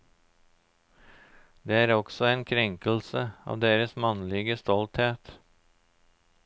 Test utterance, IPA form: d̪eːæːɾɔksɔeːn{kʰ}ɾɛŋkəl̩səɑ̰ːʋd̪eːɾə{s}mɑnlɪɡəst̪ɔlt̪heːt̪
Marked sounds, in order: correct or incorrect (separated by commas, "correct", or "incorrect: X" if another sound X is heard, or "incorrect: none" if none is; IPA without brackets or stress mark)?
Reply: correct, correct